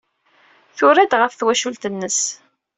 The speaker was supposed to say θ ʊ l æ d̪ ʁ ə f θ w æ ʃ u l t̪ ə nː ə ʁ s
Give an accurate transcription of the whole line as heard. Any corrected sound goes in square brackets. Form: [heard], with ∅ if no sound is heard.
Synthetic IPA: θ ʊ [ɾ] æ d̪ ʁ ə f θ w æ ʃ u l t̪ ə nː ə [∅] s